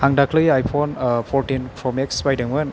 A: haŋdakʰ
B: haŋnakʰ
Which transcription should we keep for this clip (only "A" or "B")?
A